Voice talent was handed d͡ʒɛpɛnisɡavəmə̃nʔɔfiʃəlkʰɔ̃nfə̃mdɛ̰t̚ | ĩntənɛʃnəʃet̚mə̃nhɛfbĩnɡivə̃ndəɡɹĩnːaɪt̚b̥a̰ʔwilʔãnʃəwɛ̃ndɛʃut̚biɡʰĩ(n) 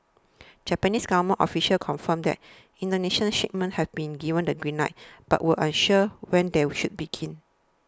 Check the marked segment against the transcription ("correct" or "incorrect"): correct